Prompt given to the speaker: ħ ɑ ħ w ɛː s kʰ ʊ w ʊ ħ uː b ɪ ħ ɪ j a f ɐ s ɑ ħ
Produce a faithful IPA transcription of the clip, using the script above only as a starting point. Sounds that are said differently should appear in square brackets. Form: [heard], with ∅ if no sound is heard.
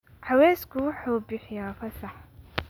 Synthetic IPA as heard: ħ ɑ [∅] w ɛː s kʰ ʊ w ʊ ħ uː b ɪ ħ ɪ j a f ɐ s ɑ ħ